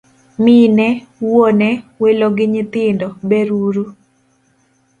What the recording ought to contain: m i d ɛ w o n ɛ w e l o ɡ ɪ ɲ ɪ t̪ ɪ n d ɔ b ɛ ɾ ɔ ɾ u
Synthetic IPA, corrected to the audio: m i n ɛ w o n ɛ w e l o ɡ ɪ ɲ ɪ t̪ ɪ n d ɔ b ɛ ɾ u ɾ u